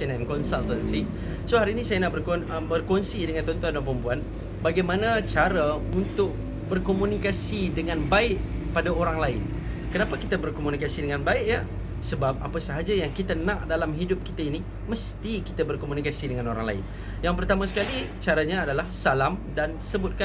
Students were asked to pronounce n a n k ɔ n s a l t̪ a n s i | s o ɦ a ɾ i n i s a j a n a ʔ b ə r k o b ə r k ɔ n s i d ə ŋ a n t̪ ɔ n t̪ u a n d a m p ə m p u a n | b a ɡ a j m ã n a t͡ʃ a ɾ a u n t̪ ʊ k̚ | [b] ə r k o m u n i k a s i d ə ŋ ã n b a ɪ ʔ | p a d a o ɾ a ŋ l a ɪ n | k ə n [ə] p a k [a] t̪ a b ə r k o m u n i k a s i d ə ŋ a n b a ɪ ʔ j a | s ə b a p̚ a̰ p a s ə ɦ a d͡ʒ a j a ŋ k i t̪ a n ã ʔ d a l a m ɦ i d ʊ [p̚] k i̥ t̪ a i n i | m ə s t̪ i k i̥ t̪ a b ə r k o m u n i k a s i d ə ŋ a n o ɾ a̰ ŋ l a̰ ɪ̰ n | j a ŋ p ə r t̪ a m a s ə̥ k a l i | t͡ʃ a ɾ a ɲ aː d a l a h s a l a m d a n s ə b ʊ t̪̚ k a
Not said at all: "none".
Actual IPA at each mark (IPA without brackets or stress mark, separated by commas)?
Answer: b, a, i, p̚